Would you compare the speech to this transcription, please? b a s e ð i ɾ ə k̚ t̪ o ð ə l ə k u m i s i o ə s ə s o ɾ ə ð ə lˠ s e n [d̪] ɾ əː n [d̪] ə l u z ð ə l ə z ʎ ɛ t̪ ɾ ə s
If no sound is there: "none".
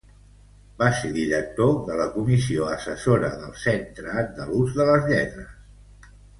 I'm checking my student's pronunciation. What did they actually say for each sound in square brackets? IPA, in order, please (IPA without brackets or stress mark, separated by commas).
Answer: t̪, d̪